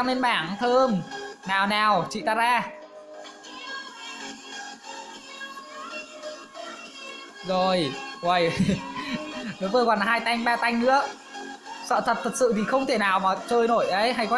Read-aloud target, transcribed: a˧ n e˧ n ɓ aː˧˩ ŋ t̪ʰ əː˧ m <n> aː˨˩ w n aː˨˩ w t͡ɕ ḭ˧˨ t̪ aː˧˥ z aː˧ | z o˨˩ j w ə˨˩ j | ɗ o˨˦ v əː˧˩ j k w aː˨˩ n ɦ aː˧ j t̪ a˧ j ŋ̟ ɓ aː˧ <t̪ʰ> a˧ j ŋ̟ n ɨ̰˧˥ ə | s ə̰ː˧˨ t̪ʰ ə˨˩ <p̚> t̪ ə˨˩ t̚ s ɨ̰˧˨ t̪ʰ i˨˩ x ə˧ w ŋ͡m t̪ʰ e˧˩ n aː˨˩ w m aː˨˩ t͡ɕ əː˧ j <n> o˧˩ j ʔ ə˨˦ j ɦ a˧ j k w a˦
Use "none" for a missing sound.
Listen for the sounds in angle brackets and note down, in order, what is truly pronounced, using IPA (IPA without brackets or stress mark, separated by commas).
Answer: n, t̪, t̚, n